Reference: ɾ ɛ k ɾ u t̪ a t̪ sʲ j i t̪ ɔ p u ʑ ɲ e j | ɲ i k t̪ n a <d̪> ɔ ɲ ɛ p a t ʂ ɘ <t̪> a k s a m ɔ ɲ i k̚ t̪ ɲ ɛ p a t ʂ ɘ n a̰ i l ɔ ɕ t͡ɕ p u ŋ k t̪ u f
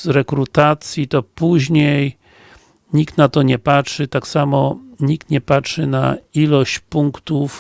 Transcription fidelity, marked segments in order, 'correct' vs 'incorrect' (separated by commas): incorrect, correct